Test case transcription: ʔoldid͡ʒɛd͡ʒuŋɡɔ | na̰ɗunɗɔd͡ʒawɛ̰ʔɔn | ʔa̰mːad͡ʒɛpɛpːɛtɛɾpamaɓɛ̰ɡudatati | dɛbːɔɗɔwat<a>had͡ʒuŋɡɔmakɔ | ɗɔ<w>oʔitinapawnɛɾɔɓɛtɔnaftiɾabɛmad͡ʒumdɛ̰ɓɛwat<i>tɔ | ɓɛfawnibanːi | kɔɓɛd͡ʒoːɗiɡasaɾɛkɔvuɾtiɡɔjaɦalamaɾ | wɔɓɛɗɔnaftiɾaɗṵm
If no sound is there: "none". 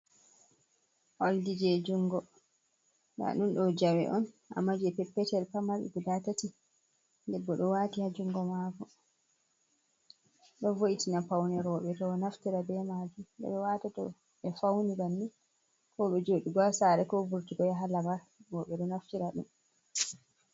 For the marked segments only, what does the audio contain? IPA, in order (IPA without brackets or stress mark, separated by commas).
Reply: i, v, a